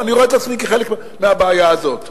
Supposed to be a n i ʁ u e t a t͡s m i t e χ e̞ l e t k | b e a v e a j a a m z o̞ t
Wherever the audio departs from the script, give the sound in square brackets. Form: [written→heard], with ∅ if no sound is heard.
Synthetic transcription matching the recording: a n i ʁ [u→o] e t a t͡s m i [t→k] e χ e̞ l e [t→∅] k | [b→m] e a [v→b] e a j a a [m→∅] z o̞ t

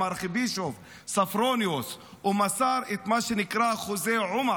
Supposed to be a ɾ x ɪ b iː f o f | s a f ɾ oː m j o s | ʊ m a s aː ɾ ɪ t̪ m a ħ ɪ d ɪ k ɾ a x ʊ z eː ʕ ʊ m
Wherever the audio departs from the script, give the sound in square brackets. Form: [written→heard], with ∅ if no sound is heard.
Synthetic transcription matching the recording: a ɾ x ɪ b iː [f→ʃ] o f | s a f ɾ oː [m→n] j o s | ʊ m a s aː ɾ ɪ t̪ m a [ħ→ʃ] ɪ [d→n] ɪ k ɾ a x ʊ z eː ʕ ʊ m

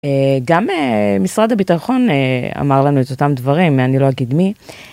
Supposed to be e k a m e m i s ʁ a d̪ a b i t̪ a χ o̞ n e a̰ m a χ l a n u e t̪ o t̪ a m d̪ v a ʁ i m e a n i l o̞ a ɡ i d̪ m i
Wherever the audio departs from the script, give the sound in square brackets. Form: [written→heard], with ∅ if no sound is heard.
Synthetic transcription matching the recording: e [k→ɡ] a m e m i s ʁ a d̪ a b i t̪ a χ o̞ n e a̰ m a [χ→ʁ] l a n u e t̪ o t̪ a m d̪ v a ʁ i m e a n i l o̞ a ɡ i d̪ m i

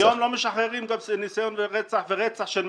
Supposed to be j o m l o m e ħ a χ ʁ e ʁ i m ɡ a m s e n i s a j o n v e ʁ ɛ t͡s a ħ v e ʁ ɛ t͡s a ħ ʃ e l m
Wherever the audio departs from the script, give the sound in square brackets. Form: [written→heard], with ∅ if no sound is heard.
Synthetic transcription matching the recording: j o m l o m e [ħ→ʃ] a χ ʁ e ʁ i m ɡ a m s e n i s a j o n v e ʁ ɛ t͡s a ħ v e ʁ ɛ t͡s a ħ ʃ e l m

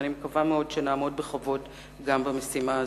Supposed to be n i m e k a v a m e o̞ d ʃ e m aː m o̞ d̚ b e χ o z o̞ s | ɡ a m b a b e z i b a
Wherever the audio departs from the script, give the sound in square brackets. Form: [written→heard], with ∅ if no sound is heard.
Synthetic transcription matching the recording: n i m e k a v a m e o̞ d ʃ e [m→n] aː m o̞ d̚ b e χ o [z→v] o̞ [s→t] | ɡ a m b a [b→m] e [z→s] i [b→m] a

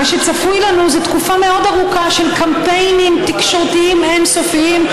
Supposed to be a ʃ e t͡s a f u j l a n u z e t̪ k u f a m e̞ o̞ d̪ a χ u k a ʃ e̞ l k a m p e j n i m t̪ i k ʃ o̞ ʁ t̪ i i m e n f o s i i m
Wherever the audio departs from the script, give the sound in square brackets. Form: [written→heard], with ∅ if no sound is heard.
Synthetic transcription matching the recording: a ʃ e t͡s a f u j l a n u z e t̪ k u f a m e̞ o̞ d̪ a [χ→ʁ] u k a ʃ e̞ l k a m p e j n i m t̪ i k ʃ o̞ ʁ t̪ i i m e n [f→s] o [s→f] i i m

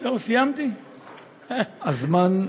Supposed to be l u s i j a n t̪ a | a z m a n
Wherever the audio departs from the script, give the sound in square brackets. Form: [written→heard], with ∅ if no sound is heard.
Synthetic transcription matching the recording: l [u→o] s i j a [n→m] t̪ [a→i] | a z m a n

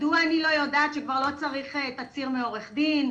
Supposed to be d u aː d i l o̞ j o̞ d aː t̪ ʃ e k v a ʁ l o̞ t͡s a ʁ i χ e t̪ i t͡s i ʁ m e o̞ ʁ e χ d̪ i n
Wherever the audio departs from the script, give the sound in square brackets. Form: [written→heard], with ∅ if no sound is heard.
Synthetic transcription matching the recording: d u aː [d→n] i l o̞ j o̞ d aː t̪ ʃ e k v a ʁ l o̞ t͡s a ʁ i χ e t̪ [i→a] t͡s i ʁ m e o̞ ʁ e χ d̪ i n

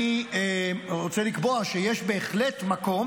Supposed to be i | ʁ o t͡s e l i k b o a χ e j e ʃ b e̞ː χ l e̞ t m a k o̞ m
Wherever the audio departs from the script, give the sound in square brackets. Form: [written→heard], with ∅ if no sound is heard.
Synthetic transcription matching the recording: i | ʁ o t͡s e l i k b o a [χ→ʃ] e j e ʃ b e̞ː χ l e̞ t m a k o̞ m

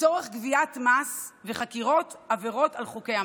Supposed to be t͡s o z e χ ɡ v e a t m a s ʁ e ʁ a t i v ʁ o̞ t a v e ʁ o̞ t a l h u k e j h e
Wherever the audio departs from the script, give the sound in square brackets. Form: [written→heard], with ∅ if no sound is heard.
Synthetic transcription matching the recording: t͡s o [z→ʁ] e χ ɡ v [e→i] a t m a s [ʁ→v] e [ʁ→χ] a [t→k] i [v→∅] ʁ o̞ t a v e ʁ o̞ t a l [h→χ] u k e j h [e→a]

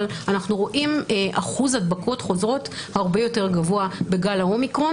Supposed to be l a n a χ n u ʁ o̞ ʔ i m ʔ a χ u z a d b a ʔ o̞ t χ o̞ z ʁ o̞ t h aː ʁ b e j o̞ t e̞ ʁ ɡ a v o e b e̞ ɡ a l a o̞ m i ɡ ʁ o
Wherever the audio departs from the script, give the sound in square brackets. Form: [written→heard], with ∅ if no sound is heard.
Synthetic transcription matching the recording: l a n a χ n u ʁ o̞ ʔ i m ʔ a χ u z a d b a [ʔ→k] o̞ t χ o̞ z ʁ o̞ t h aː ʁ b e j o̞ t e̞ ʁ ɡ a v o [e→a] b e̞ ɡ a l a o̞ m i [ɡ→k] ʁ o

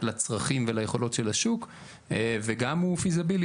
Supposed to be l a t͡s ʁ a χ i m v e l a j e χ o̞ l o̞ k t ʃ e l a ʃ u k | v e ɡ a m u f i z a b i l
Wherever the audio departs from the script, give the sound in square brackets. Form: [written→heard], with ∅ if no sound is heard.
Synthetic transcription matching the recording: l a t͡s ʁ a χ i m v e l a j e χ o̞ l o̞ [k→∅] t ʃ e l a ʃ u k | v e ɡ a m u f i z a b i l

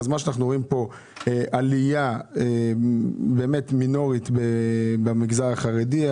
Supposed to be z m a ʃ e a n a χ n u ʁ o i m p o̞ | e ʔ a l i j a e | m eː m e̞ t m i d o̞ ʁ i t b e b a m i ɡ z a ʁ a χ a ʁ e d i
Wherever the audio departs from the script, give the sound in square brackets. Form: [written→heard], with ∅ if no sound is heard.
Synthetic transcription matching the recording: z m a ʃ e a n a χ n u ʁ o i m p o̞ | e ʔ a l i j a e | [m→b] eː m e̞ t m i [d→n] o̞ ʁ i t b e b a m i ɡ z a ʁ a χ a ʁ e d i

